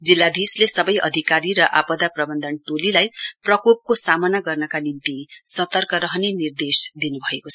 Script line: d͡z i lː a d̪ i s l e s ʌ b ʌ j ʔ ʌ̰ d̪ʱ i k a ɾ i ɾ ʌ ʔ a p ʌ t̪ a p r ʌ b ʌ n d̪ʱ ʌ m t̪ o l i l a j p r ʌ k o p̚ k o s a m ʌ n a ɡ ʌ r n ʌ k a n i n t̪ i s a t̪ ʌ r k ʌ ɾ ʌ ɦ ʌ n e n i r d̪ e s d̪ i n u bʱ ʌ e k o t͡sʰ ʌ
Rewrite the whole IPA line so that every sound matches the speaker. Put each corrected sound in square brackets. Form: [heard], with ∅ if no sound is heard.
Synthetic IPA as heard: d͡z i lː a d̪ i s l e s ʌ b ʌ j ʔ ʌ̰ d̪ʱ i k a ɾ i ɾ ʌ ʔ a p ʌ [d̪] a p r ʌ b ʌ n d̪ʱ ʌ [n] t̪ o l i l a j p r ʌ k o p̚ k o s a m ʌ n a ɡ ʌ r n ʌ k a n i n t̪ i s [ʌ] t̪ ʌ r k ʌ ɾ ʌ ɦ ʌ n e n i r d̪ e s d̪ i n u bʱ ʌ e k o t͡sʰ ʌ